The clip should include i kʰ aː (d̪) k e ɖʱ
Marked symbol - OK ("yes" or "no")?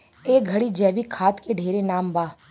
no